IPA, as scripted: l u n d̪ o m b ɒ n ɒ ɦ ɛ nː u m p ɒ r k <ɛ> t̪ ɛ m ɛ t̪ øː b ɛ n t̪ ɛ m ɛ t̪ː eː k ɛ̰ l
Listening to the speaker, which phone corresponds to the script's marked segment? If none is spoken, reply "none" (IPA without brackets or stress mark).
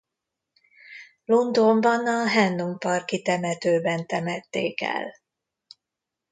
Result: i